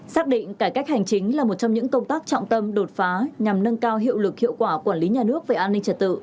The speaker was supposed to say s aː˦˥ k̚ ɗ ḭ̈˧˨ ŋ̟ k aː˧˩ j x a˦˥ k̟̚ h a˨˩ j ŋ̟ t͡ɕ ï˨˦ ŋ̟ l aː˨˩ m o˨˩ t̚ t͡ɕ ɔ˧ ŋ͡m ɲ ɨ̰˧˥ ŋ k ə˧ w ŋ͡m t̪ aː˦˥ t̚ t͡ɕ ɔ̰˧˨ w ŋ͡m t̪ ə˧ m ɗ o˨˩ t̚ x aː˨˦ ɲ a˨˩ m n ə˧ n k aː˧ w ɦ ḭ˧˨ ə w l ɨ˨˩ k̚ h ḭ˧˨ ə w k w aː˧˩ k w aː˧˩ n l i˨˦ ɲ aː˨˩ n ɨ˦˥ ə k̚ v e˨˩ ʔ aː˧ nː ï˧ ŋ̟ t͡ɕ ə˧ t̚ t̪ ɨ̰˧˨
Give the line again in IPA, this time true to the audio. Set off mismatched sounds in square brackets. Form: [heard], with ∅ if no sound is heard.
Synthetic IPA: s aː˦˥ k̚ ɗ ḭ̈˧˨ ŋ̟ k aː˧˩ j [k] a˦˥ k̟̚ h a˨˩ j ŋ̟ t͡ɕ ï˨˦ ŋ̟ l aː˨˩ m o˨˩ t̚ t͡ɕ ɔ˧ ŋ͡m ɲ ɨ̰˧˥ ŋ k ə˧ w ŋ͡m t̪ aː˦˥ [k̚] t͡ɕ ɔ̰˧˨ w ŋ͡m t̪ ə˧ m ɗ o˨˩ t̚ [f] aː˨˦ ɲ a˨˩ m n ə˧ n k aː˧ w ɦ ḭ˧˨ ə w l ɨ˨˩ k̚ h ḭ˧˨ ə w k w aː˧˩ k w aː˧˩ n l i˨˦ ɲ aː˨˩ n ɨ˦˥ ə k̚ v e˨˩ ʔ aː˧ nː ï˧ ŋ̟ t͡ɕ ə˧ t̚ t̪ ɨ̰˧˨